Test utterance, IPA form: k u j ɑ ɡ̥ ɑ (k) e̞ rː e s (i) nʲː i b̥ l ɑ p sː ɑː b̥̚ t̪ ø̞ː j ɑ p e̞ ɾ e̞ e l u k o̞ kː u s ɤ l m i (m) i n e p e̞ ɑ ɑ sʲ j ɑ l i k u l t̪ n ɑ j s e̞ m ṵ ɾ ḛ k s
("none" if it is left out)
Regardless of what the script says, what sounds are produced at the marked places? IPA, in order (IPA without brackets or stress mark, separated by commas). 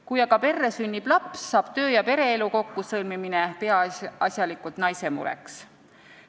p, y, m